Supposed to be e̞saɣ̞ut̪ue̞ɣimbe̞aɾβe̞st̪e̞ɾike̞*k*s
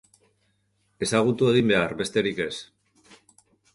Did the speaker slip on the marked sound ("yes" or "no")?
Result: yes